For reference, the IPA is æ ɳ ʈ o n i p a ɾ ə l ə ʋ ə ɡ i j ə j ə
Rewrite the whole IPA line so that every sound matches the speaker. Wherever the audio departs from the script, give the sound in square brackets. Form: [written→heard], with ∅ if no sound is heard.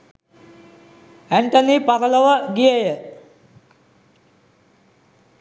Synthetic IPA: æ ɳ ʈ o n i p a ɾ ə l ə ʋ ə ɡ i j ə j ə